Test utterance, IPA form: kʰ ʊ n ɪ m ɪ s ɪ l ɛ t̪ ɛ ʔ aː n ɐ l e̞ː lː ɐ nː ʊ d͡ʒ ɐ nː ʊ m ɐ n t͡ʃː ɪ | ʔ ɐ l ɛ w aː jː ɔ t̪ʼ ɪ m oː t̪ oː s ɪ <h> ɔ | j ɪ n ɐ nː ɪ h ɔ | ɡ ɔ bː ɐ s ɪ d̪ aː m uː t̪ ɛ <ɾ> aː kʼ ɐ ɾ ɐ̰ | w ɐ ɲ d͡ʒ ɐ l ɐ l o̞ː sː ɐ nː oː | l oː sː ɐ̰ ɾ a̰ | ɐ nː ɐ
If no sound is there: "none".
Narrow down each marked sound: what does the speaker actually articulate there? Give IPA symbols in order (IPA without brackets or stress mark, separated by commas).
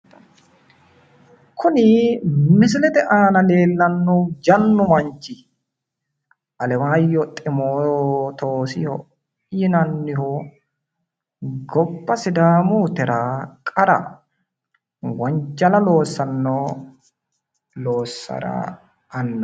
h, ɾ